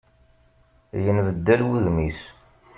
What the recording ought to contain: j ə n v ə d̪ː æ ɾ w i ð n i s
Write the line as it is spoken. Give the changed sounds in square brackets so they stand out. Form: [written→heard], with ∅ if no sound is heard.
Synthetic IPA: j ə n v ə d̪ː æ [ɾ→l] w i ð [n→m] i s